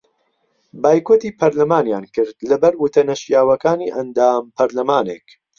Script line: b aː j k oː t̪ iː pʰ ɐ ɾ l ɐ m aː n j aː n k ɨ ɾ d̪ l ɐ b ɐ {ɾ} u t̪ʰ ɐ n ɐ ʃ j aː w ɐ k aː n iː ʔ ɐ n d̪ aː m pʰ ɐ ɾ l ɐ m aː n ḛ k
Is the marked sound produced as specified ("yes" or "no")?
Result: yes